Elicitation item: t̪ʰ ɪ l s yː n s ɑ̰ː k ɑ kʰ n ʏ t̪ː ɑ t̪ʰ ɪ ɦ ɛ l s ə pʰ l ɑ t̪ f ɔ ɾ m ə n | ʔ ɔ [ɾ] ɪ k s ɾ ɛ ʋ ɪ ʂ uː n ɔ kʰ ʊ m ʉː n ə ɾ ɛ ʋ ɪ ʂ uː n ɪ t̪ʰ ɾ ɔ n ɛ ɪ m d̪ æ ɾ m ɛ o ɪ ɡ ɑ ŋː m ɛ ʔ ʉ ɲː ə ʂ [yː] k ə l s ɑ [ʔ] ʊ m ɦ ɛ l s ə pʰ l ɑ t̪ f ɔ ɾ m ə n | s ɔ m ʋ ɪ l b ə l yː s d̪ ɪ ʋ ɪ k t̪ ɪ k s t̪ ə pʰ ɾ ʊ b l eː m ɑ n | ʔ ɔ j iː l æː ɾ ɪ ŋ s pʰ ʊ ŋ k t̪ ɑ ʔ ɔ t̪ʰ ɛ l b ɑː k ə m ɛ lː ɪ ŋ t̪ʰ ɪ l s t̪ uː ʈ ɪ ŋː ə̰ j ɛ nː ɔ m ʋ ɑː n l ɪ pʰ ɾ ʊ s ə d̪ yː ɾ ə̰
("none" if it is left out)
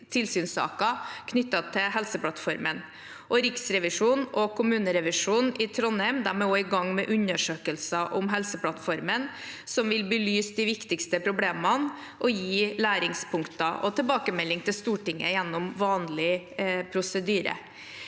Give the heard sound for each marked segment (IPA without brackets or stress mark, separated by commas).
ɾ, øː, ʔ